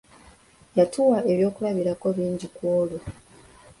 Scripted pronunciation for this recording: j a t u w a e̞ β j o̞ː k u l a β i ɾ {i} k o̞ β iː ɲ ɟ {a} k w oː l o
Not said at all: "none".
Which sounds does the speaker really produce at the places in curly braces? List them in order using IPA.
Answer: a, i

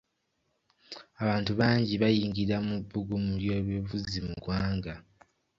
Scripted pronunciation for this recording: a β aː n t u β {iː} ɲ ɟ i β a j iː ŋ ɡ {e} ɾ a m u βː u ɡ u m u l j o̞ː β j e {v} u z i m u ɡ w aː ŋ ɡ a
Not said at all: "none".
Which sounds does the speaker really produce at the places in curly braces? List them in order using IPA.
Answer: aː, i, v

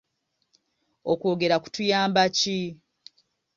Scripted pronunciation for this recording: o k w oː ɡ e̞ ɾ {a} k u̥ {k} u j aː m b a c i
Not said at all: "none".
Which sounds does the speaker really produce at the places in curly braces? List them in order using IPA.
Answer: a, t

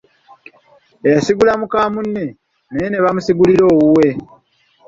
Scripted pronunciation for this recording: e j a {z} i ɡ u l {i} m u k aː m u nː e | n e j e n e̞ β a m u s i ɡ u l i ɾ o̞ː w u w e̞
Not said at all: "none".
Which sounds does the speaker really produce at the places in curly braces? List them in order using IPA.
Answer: s, a

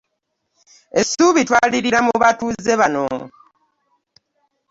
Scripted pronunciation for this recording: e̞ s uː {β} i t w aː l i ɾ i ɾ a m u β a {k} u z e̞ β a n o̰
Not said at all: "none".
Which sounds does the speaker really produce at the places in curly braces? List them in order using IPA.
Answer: β, t

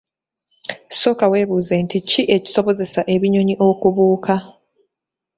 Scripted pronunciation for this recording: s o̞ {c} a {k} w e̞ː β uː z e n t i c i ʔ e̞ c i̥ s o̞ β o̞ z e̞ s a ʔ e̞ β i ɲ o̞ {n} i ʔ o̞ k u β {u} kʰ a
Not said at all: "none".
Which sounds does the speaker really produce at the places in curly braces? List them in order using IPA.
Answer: k, none, ɲ, uː

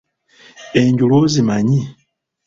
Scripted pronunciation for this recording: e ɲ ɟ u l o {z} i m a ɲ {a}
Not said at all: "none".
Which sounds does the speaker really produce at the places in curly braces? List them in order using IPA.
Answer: z, i

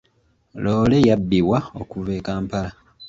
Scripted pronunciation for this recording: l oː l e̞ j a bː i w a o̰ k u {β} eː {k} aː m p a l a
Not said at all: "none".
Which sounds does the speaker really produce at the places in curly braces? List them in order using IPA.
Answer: v, k

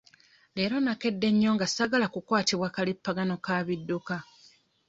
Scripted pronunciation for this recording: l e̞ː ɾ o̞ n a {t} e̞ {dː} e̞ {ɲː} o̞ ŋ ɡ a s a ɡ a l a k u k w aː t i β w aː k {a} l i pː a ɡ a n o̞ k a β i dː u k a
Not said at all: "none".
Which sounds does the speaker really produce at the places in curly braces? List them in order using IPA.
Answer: k, dː, ɲː, a

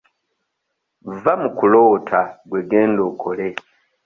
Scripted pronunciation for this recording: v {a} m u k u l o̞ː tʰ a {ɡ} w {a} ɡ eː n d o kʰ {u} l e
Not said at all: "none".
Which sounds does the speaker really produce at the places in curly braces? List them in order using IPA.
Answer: a, ɡ, e, o

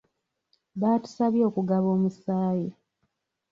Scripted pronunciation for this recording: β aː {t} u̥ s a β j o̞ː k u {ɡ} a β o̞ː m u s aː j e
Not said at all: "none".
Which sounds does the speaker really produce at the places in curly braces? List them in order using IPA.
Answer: t, ɡ

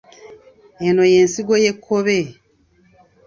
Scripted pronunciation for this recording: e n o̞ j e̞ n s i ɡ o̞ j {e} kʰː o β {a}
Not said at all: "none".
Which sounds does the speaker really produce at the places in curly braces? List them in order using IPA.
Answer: e, e

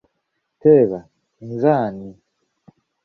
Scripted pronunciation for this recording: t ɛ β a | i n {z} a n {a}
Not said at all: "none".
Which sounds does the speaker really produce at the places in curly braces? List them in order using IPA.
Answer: z, i

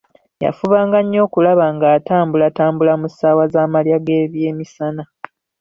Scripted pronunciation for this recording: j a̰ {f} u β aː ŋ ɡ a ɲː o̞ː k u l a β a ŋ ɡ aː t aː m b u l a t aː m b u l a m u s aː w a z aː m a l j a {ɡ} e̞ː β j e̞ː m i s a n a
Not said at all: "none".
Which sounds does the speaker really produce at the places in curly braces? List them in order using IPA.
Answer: f, ɡ

